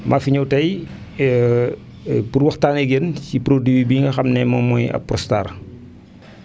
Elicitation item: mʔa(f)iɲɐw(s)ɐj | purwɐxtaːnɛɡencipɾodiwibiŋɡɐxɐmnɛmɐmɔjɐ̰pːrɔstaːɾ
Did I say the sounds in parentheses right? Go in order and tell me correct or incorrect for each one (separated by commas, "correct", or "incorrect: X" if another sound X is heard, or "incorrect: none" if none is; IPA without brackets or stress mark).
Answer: correct, incorrect: t